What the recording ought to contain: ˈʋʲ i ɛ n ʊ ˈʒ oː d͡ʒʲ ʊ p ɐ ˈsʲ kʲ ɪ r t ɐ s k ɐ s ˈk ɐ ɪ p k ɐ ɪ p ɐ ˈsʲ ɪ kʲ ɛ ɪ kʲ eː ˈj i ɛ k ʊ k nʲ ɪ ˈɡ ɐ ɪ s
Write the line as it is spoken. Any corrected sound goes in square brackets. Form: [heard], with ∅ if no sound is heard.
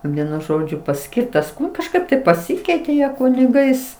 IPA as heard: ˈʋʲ i ɛ n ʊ ˈʒ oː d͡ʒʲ ʊ p ɐ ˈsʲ kʲ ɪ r t ɐ s k ɐ [ʃ] ˈk ɐ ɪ p [t] ɐ ɪ p ɐ ˈsʲ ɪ kʲ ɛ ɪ [tʲ] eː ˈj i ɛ k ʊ [∅] nʲ ɪ ˈɡ ɐ ɪ s

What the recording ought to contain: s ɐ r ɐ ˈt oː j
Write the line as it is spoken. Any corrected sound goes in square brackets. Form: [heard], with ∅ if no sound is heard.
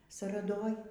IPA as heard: s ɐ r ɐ [ˈd] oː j

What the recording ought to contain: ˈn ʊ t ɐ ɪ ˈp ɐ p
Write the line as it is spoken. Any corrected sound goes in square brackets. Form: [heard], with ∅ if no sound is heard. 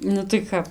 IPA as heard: ˈn ʊ t ɐ ɪ [ˈk] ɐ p

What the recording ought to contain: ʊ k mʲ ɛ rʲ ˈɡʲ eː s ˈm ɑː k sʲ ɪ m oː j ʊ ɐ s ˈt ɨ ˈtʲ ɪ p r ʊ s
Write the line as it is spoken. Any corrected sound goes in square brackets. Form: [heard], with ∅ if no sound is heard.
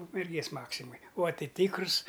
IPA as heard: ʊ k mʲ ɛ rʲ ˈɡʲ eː s ˈm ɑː k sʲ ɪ m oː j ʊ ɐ [∅] ˈt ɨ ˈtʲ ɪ [k] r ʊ s

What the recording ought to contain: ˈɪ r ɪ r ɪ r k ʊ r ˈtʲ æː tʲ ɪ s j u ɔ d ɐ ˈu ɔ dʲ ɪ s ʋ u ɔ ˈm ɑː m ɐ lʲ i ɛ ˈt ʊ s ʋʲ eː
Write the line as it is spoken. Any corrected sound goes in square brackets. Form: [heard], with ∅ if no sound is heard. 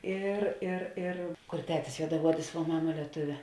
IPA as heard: ˈɪ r ɪ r ɪ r k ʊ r ˈtʲ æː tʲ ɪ s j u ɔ d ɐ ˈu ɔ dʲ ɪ s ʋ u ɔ ˈm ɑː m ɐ lʲ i ɛ ˈt ʊ [∅] ʋʲ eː

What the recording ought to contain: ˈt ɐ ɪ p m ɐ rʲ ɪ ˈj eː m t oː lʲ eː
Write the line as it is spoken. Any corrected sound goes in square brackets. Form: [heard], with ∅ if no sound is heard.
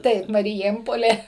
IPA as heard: ˈt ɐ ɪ p m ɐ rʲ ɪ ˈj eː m [p] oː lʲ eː

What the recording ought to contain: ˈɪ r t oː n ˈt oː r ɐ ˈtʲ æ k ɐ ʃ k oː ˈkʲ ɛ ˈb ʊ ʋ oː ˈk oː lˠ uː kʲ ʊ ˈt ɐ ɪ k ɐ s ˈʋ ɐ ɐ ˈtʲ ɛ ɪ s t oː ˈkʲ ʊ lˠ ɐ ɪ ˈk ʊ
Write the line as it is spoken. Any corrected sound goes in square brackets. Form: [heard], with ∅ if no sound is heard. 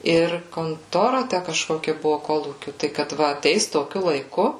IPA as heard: ˈɪ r [k] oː n ˈt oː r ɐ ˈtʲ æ k ɐ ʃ k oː ˈkʲ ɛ ˈb ʊ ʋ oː ˈk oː lˠ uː kʲ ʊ ˈt ɐ ɪ k ɐ [t] ˈʋ ɐ ɐ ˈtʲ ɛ ɪ s t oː ˈkʲ ʊ lˠ ɐ ɪ ˈk ʊ

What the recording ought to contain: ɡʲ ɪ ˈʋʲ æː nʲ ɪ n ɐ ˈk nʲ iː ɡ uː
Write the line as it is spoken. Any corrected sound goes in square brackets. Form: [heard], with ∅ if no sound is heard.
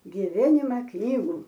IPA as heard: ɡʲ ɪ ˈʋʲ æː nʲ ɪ [m] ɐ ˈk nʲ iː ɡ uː

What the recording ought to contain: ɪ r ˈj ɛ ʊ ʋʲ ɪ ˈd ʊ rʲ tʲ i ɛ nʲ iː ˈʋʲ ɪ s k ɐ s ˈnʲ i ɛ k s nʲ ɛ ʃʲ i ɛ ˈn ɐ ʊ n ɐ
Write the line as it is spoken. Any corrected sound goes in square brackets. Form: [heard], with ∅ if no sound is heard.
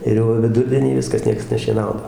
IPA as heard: ɪ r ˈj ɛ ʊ ʋʲ ɪ ˈd ʊ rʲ [dʲ] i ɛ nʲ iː ˈʋʲ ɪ s k ɐ s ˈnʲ i ɛ k s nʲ ɛ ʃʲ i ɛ ˈn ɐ ʊ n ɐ

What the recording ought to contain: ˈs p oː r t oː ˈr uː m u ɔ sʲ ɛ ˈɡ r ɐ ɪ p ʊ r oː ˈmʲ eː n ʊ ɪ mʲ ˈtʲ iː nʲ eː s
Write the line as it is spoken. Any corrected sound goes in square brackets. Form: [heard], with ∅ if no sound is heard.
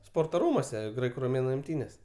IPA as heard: ˈs p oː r t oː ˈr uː m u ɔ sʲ ɛ ˈɡ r ɐ ɪ [k] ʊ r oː ˈmʲ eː n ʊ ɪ mʲ ˈtʲ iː nʲ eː s

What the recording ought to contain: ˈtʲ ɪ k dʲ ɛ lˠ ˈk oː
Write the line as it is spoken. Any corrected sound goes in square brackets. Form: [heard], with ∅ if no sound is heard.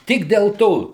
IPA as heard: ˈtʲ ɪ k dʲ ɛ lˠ [ˈt] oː

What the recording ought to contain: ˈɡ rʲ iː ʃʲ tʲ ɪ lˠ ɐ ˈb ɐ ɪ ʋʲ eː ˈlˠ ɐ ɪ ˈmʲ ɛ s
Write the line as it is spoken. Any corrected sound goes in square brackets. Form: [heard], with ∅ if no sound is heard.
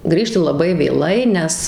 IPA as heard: ˈɡ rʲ iː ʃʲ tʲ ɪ lˠ ɐ ˈb ɐ ɪ ʋʲ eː ˈlˠ ɐ ɪ [ˈnʲ] ɛ s

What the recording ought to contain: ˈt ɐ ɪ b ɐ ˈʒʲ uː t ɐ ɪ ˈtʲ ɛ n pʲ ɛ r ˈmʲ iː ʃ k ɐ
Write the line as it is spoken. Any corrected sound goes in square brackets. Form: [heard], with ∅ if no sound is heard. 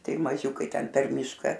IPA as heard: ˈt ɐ ɪ [m] ɐ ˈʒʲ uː [k] ɐ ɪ ˈtʲ ɛ n pʲ ɛ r ˈmʲ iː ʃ k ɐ

